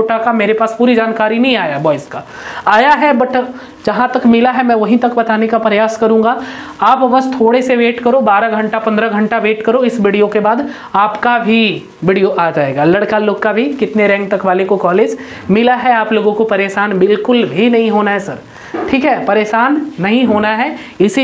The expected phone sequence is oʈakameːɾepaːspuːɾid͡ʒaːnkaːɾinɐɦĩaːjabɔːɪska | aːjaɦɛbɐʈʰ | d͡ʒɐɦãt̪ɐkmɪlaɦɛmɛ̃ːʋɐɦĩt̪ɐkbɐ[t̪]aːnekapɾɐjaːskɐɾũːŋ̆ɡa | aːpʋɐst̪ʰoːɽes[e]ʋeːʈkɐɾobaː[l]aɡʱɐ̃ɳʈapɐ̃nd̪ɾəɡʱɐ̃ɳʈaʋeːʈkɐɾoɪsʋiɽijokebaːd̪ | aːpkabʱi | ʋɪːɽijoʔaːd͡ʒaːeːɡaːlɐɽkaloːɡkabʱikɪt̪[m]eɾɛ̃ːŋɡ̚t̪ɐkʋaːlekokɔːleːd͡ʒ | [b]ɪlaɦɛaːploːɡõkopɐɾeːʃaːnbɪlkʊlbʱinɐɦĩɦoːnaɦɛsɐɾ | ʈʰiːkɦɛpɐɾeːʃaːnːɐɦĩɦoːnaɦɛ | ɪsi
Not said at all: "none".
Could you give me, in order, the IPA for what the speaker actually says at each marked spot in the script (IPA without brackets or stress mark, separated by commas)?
t̪, e, ɾ, n, m